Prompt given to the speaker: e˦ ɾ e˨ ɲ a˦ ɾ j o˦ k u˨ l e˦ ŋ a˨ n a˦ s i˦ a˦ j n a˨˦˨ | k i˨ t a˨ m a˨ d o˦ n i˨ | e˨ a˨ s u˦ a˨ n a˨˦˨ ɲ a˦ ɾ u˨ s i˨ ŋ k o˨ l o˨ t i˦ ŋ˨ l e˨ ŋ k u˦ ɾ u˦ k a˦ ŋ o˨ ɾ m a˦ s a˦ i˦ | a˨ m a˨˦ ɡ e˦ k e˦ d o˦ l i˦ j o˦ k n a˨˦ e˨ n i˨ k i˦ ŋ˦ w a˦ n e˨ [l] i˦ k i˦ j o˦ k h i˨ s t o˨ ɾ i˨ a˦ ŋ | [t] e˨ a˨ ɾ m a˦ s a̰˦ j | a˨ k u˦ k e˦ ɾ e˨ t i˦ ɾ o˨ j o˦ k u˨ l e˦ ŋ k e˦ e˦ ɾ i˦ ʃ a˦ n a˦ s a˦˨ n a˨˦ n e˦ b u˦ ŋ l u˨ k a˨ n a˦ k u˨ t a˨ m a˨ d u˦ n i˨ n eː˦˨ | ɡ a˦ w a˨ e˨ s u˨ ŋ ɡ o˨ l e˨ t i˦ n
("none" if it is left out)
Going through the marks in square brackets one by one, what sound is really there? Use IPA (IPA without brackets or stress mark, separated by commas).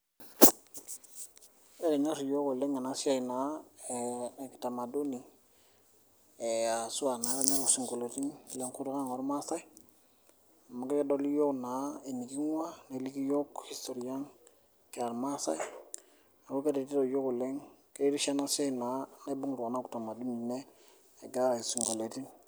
l, k